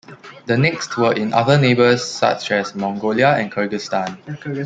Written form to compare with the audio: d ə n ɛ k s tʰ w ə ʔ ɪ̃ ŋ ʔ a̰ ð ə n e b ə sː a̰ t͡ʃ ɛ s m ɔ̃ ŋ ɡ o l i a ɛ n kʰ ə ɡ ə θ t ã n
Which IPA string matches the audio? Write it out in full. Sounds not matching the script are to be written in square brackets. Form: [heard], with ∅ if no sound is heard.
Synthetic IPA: d ə n ɛ k s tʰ w ə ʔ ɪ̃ [n] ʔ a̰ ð ə n e b ə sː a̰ t͡ʃ ɛ s m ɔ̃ ŋ ɡ o l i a [ɛ̃] n kʰ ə ɡ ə [s] t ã n

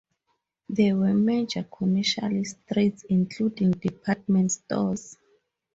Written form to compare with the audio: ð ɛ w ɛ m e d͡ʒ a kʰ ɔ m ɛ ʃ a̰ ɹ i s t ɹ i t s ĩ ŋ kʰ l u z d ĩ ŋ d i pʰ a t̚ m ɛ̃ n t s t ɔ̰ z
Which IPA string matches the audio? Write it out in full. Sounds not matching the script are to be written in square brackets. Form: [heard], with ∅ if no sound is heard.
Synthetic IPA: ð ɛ w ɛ m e d͡ʒ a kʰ ɔ m ɛ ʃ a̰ [l] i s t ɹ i t s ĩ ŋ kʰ l u [∅] d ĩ ŋ d i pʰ a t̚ m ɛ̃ n t s t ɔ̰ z

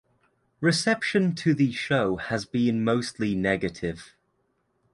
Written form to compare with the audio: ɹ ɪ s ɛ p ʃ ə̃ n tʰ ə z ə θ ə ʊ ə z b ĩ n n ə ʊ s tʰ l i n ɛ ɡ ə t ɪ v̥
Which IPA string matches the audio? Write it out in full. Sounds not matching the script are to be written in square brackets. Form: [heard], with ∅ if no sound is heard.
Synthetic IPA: ɹ ɪ s ɛ p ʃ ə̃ n tʰ ə [ð] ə [ʃ] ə ʊ ə z b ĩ n [m] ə ʊ s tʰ l i n ɛ ɡ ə [tʰ] ɪ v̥

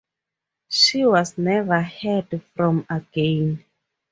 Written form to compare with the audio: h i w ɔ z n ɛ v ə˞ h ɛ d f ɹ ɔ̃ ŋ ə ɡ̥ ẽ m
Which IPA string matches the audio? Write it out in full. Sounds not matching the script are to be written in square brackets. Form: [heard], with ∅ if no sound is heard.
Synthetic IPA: [ʃ] i w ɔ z n ɛ v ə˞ h ɛ d f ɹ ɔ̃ [m] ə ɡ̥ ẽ [n]

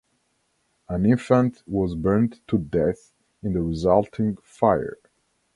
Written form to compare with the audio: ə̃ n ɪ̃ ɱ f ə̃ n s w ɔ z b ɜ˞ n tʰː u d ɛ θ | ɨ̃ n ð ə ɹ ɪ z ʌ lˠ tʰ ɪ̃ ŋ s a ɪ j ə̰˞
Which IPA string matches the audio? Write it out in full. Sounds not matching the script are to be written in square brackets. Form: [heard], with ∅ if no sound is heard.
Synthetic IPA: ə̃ n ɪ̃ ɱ f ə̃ n [t] w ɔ z b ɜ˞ n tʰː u d ɛ θ | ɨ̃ n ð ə ɹ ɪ z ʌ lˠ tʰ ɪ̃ ŋ [f] a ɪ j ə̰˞

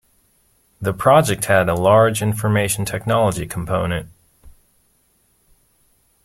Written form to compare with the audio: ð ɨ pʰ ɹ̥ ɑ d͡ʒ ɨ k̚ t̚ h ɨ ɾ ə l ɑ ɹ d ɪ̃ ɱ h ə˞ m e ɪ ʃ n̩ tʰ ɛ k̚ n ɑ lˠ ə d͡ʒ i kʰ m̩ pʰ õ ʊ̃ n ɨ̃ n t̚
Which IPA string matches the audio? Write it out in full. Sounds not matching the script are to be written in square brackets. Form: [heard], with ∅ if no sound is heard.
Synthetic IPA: ð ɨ pʰ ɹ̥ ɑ d͡ʒ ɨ k̚ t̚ h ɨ ɾ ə l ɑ ɹ [d͡ʒ] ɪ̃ ɱ [f] ə˞ m e ɪ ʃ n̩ tʰ ɛ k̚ n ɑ lˠ ə d͡ʒ i kʰ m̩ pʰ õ ʊ̃ n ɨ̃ n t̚

